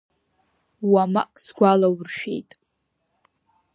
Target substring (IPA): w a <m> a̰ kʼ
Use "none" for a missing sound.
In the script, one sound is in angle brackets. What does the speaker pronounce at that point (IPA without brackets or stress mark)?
m